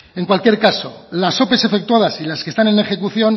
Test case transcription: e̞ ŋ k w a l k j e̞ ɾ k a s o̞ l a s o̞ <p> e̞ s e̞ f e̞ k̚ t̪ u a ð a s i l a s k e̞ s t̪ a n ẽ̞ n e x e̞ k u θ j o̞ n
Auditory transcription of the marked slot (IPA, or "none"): p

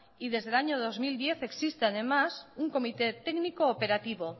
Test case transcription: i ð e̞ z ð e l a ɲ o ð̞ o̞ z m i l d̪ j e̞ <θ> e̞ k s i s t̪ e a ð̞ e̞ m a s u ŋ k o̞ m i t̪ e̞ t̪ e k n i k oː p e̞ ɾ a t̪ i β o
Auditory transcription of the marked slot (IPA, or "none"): θ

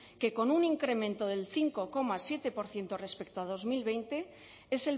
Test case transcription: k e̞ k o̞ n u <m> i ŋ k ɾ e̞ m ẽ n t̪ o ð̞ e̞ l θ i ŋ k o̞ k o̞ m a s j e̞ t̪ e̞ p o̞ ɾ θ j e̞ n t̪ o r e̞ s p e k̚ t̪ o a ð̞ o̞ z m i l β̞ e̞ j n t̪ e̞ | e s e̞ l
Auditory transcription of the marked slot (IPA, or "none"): n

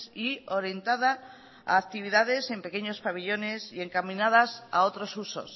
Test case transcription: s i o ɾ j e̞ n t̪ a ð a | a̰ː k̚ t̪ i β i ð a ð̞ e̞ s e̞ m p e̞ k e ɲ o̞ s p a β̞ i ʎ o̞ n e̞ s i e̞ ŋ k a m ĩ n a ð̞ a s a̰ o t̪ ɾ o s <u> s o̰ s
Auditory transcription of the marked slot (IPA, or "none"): u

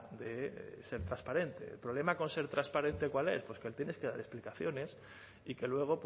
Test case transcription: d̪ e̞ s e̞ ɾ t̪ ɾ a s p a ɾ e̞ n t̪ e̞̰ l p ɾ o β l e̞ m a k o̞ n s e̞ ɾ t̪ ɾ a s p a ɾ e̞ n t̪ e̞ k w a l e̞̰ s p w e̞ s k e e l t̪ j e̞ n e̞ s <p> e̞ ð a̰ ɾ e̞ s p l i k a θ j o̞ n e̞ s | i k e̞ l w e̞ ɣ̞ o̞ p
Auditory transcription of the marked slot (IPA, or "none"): k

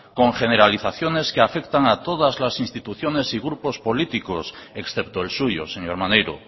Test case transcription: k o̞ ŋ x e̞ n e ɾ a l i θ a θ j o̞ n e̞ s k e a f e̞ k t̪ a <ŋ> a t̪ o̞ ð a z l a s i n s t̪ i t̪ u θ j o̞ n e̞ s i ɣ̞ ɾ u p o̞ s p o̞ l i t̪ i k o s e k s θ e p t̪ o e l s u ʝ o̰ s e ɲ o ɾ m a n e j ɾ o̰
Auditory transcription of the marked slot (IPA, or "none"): ŋ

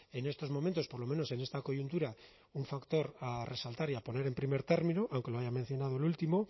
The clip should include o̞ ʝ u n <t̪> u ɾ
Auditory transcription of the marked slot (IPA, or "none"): t̪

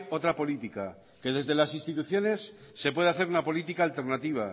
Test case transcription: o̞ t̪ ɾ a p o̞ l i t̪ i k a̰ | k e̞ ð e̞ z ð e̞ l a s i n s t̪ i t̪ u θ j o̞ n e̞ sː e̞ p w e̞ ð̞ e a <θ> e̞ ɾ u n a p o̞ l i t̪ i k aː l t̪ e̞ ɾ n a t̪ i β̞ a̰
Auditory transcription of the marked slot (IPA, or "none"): θ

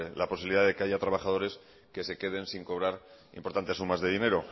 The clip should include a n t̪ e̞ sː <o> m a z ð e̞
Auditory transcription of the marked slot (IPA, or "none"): u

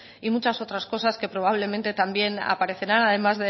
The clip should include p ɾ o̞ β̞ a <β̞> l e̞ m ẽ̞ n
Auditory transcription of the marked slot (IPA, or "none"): β̞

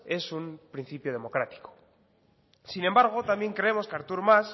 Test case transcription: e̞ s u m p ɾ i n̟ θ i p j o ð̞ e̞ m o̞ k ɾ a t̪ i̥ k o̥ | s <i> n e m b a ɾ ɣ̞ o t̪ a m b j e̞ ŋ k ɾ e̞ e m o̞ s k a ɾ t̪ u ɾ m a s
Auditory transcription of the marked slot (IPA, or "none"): i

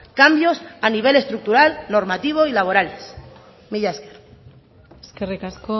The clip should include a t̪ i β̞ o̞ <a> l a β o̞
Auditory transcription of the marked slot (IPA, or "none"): i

